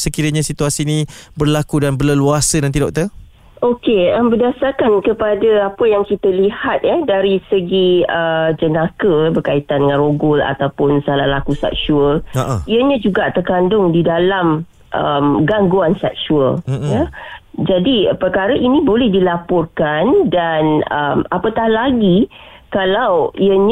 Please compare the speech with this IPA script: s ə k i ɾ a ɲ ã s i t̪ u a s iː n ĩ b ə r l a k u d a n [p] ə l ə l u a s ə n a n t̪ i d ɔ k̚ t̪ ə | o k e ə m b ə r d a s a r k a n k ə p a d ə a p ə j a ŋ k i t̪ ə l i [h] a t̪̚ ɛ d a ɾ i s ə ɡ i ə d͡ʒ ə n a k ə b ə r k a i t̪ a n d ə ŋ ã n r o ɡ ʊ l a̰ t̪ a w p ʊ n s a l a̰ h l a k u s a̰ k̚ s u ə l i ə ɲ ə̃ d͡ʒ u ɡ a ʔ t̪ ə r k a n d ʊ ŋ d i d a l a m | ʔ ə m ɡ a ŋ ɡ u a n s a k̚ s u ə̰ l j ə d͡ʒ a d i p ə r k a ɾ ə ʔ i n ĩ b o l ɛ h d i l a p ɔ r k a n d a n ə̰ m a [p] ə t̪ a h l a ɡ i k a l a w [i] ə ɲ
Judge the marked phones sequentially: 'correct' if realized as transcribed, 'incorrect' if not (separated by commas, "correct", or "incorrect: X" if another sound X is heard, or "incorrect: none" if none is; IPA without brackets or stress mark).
incorrect: b, correct, correct, correct